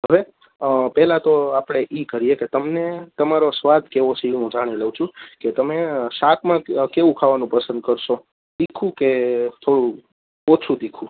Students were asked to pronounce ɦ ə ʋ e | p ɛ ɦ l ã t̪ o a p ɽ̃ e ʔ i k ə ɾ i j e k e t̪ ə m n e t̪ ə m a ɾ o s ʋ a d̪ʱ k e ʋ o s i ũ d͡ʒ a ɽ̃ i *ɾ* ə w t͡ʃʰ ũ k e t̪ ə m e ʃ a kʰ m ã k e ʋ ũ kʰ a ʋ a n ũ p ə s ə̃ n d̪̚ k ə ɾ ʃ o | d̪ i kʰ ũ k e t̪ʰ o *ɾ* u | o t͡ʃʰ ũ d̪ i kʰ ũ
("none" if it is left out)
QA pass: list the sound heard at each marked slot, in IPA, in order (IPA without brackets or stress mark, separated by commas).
l, ɽ